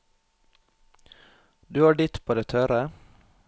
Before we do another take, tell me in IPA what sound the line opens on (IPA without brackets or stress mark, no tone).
d̪